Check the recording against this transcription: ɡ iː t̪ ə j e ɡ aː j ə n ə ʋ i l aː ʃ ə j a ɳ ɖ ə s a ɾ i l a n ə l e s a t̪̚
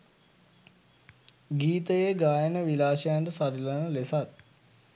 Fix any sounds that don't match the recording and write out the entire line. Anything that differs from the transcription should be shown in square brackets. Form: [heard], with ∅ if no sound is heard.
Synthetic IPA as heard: ɡ iː t̪ ə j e ɡ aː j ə n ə ʋ i l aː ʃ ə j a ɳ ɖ ə s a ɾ i l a n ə l e s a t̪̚